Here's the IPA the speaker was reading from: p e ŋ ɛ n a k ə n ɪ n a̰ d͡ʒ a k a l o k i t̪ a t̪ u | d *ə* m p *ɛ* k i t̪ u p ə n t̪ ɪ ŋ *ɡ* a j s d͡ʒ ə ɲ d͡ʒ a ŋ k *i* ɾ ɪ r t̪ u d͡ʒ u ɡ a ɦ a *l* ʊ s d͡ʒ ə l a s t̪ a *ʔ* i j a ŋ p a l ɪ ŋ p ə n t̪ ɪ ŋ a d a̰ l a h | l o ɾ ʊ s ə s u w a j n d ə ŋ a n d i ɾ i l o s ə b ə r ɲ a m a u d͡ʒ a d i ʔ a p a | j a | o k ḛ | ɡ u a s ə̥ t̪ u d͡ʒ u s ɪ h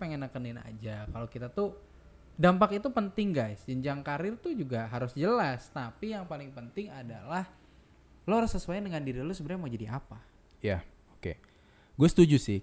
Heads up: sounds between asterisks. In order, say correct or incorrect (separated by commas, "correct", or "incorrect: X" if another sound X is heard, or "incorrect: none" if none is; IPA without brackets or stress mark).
incorrect: a, incorrect: a, correct, incorrect: a, incorrect: ɾ, incorrect: p